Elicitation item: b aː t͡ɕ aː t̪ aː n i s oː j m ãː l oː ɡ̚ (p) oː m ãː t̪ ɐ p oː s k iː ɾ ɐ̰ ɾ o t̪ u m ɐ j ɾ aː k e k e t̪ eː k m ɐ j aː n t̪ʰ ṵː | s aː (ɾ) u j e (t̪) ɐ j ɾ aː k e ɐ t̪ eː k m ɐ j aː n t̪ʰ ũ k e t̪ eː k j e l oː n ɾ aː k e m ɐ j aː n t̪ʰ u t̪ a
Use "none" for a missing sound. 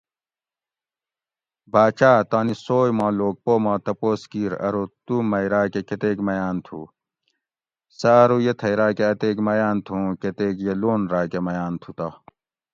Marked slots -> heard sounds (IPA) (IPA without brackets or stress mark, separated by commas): p, ɾ, t̪ʰ